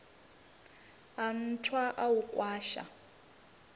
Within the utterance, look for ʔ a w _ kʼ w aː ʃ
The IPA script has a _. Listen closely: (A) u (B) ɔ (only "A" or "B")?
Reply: A